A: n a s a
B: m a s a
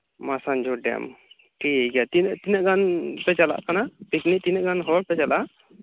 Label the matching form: B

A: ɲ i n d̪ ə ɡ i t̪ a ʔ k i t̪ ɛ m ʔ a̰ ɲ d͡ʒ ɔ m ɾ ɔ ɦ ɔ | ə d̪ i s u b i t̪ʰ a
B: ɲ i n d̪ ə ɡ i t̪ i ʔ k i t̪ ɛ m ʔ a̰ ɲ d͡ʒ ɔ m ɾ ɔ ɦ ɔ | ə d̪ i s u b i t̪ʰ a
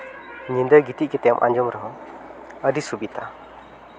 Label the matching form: B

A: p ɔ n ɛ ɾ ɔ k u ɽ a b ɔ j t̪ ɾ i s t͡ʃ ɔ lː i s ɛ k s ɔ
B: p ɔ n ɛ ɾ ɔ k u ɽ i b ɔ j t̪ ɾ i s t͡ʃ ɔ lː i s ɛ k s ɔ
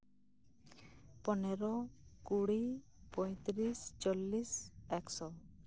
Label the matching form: B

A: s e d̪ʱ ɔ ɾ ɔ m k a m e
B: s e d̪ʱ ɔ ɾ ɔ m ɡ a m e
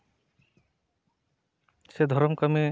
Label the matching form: A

